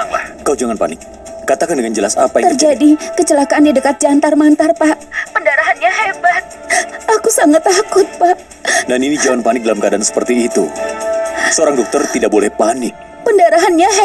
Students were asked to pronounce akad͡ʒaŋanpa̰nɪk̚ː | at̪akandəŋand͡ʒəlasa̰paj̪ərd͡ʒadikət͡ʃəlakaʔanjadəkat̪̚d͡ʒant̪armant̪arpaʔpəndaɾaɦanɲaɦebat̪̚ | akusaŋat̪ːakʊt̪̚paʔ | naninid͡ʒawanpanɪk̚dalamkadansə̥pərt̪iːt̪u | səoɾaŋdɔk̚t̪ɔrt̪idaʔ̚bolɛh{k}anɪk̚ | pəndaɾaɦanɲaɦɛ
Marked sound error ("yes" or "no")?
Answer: yes